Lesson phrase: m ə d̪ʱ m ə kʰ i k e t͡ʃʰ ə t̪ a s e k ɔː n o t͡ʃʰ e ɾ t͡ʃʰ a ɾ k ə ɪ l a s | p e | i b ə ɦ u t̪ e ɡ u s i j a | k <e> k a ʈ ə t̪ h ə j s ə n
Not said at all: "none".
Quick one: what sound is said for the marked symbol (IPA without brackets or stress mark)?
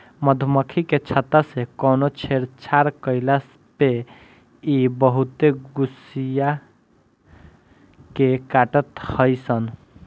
e